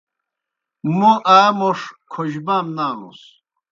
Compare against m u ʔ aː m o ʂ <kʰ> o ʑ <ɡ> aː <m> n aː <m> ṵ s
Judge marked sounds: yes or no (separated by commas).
yes, no, yes, no